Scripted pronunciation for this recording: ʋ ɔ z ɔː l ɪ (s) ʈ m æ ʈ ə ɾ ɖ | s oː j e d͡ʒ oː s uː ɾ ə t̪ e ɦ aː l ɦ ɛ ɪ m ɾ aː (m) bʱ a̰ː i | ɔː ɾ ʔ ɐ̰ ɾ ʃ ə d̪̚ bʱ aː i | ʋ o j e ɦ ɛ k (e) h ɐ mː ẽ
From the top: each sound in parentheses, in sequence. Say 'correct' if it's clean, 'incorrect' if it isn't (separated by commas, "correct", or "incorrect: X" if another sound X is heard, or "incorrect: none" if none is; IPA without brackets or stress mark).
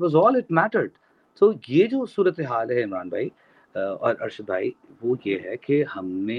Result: incorrect: none, incorrect: n, correct